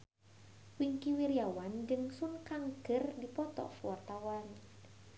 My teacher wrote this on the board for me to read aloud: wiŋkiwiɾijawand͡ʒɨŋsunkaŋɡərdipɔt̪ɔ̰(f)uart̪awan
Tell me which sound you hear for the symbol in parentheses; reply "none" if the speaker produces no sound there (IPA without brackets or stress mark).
f